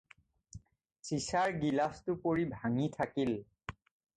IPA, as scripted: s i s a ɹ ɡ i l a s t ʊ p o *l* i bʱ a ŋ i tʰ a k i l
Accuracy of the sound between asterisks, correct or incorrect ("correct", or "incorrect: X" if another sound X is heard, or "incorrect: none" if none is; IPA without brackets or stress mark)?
incorrect: ɹ